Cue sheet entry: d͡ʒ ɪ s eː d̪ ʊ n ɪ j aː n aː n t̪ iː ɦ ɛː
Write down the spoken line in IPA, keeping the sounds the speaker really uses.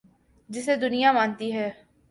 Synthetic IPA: d͡ʒ ɪ s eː d̪ ʊ n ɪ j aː m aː n t̪ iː ɦ ɛː